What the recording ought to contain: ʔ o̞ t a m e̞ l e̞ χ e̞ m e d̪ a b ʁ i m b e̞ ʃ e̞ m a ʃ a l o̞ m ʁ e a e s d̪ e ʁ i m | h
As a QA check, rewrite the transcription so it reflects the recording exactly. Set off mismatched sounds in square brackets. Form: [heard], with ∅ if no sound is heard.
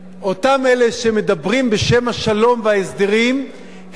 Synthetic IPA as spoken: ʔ o̞ t a m e̞ l e̞ [ʃ] e̞ m e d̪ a b ʁ i m b e̞ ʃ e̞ m a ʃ a l o̞ m [v] e a e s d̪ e ʁ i m | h